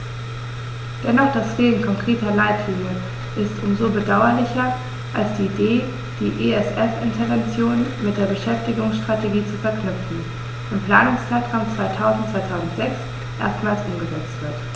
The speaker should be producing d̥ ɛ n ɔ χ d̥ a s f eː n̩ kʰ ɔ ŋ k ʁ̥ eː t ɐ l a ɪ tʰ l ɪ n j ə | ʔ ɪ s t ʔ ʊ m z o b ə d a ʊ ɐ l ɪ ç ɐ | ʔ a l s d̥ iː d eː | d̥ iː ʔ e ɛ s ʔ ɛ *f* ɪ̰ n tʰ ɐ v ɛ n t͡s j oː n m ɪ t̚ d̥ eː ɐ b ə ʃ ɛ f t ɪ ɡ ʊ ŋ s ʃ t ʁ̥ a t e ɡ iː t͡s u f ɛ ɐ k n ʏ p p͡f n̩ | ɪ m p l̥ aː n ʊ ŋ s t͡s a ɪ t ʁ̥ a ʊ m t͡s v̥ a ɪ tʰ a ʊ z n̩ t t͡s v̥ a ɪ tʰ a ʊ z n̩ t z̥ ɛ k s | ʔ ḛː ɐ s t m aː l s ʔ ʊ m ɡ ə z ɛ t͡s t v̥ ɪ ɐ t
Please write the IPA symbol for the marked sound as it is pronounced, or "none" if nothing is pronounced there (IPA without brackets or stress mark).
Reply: f